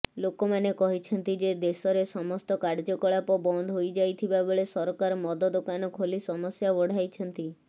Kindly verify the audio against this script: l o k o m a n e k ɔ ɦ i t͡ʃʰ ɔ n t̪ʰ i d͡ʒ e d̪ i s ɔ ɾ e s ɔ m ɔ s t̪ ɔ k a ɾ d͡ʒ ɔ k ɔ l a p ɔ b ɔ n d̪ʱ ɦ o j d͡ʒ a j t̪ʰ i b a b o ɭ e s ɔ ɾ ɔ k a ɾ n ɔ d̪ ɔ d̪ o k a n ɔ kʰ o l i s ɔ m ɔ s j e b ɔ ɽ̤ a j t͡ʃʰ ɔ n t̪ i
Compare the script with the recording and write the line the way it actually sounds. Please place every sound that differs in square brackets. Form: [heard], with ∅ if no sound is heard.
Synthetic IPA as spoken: l o k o m a n e k ɔ ɦ i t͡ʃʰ ɔ n [t̪] i d͡ʒ e d̪ [e] s ɔ ɾ e s ɔ m ɔ s t̪ ɔ k a ɾ d͡ʒ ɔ k ɔ [ɭ] a p ɔ b ɔ n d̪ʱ ɦ o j d͡ʒ a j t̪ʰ i b a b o ɭ e s ɔ ɾ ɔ k a ɾ [m] ɔ d̪ ɔ d̪ o k a n ɔ kʰ o l i s ɔ m ɔ s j [a] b ɔ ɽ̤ a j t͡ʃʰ ɔ n t̪ i